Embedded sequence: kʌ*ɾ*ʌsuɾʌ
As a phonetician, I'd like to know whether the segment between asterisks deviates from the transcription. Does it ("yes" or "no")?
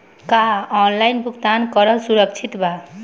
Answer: no